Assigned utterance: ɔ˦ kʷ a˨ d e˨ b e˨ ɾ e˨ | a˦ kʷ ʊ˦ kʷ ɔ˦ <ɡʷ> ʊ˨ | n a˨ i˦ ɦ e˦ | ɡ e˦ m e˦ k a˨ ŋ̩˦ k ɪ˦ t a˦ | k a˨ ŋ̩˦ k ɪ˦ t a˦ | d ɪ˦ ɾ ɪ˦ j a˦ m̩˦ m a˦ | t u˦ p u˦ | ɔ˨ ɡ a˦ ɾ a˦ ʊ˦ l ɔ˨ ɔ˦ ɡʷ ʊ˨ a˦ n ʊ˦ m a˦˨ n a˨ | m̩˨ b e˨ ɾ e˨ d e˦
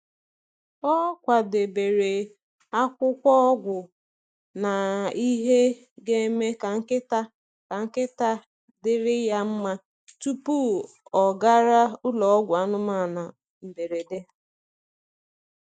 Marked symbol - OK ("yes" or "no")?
yes